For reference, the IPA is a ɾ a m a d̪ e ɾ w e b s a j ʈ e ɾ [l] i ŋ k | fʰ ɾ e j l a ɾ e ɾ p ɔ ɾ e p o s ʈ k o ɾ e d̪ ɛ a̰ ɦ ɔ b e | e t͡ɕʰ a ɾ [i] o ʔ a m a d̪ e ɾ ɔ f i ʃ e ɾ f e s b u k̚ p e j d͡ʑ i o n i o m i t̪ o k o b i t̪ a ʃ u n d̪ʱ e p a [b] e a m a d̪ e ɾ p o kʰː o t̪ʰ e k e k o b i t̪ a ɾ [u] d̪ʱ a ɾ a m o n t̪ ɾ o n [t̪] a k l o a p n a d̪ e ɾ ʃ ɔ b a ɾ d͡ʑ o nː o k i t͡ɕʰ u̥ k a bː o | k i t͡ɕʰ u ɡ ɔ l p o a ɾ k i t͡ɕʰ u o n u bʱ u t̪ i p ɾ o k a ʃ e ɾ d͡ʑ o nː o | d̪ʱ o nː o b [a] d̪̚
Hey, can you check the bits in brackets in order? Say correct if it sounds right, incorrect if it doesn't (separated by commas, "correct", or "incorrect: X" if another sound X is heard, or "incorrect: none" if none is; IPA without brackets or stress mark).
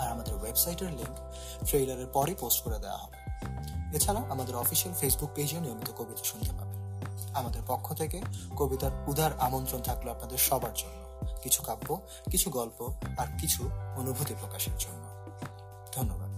correct, incorrect: a, correct, correct, incorrect: t̪ʰ, correct